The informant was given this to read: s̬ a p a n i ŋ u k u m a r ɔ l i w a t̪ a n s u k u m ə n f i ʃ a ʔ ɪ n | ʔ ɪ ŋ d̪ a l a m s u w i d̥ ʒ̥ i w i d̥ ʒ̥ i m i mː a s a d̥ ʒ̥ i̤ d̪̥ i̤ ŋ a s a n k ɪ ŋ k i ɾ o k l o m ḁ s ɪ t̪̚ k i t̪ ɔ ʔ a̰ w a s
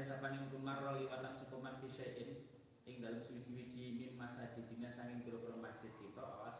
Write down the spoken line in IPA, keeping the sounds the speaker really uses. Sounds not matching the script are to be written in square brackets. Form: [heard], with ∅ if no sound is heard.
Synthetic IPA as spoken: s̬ a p a n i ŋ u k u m a r ɔ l i w a t̪ a n s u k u m [a] n f i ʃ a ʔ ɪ n | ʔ ɪ ŋ d̪ a l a m s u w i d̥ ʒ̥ i w i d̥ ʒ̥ i m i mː a s a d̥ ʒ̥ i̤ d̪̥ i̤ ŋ a s a [ŋ] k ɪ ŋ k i ɾ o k [ɾ] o m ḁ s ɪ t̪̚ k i t̪ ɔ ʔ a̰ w a s